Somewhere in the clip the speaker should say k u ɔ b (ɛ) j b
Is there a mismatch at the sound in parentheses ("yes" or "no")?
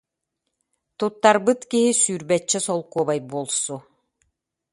yes